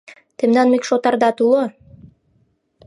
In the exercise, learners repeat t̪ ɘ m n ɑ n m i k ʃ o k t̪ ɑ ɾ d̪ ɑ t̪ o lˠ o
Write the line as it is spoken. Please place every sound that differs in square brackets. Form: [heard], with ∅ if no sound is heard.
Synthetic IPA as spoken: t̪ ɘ m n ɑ n m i k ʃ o [∅] t̪ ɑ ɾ d̪ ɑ t̪ [u] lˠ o